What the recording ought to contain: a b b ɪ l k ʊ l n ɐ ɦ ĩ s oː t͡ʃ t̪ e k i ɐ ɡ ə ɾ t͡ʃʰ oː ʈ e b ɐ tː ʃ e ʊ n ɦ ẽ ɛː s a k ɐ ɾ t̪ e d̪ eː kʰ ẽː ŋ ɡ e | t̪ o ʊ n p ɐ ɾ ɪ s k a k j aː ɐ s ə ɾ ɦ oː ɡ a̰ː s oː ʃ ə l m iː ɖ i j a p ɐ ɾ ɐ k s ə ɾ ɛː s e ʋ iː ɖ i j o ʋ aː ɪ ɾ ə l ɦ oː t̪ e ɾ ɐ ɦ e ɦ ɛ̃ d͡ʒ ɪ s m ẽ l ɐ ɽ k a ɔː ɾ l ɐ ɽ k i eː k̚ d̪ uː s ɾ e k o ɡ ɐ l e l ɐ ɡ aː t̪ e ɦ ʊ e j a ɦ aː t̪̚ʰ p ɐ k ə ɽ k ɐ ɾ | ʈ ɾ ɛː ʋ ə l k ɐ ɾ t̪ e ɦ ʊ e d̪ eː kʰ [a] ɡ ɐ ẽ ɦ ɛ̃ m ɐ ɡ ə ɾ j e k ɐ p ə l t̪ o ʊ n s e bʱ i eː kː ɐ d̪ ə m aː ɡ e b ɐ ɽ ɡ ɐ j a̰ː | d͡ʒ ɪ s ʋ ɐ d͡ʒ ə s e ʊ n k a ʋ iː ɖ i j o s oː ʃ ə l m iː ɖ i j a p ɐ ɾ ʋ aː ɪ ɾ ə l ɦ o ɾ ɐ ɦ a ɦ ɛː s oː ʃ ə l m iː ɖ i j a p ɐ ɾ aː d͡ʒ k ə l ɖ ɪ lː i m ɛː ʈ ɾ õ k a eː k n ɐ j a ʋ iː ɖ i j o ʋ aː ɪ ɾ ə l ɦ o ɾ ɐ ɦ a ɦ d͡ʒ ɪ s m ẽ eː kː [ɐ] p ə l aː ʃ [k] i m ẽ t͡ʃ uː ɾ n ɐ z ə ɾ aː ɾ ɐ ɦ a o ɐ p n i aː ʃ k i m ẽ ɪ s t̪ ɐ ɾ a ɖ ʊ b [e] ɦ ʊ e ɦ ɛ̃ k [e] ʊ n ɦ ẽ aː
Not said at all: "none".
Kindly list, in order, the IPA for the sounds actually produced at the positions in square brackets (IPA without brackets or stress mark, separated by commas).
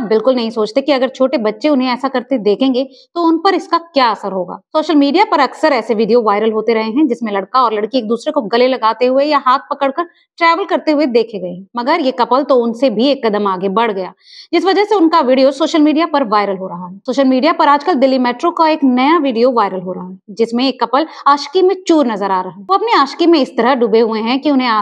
e, ɐ, k, e, i